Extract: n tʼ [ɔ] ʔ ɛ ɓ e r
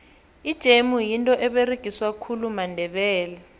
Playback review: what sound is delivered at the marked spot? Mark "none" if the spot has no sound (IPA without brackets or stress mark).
ɔ